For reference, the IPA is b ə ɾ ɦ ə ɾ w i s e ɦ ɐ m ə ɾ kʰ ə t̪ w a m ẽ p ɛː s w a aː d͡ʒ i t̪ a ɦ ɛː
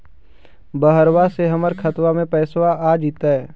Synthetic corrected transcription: b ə ɦ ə ɾ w a s e ɦ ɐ m ə ɾ kʰ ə t̪ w a m ẽ p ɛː s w a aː d͡ʒ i t̪ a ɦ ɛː